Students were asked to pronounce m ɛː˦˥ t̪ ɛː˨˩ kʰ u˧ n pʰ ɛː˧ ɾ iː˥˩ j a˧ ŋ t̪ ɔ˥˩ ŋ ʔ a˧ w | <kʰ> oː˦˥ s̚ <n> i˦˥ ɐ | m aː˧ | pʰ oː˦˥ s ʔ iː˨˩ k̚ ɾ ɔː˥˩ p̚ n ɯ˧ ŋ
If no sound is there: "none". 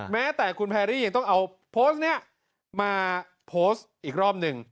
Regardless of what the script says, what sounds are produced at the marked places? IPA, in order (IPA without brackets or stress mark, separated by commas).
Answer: pʰ, n